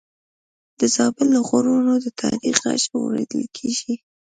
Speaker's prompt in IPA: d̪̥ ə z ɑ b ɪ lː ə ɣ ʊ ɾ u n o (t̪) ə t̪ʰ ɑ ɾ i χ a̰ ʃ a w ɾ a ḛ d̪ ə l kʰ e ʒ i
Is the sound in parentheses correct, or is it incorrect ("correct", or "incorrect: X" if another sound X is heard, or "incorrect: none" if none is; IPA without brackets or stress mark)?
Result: incorrect: d̪